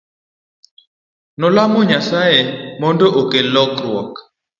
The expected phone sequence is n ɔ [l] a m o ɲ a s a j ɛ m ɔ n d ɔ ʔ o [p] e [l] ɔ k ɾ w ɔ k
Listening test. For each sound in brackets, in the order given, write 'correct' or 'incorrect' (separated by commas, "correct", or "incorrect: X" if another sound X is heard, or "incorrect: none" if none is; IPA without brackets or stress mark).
correct, incorrect: k, correct